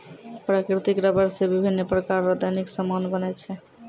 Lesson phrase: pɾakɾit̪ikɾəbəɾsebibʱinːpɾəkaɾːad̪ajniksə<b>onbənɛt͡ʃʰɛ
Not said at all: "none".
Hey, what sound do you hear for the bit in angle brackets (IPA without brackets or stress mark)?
m